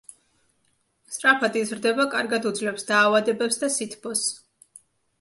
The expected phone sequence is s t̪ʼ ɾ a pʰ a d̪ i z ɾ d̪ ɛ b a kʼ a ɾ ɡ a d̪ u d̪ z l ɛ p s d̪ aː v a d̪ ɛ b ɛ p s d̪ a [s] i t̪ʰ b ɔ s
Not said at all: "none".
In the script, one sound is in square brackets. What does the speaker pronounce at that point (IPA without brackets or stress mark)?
s